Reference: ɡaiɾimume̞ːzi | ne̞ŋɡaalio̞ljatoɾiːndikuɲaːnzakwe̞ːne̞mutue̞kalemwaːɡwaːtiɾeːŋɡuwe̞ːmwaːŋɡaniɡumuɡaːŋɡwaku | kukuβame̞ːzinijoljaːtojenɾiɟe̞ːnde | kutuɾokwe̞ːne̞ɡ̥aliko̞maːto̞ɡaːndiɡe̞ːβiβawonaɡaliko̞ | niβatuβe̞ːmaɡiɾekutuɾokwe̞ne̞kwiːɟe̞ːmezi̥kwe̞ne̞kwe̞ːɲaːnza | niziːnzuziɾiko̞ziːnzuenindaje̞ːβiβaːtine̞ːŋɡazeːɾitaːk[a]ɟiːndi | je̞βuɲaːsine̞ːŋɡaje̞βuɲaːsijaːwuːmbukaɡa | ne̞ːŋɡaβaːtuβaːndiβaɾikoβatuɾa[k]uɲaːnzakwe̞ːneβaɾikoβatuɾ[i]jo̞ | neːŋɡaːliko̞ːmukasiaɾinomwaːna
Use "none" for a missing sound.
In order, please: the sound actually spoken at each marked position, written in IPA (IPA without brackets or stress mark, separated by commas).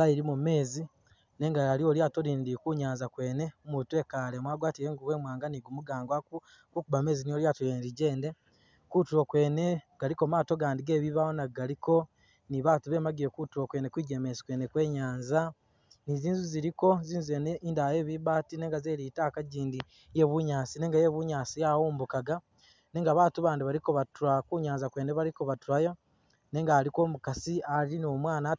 a, k, a